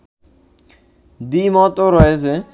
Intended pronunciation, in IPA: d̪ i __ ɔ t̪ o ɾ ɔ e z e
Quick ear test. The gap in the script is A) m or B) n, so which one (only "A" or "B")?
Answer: A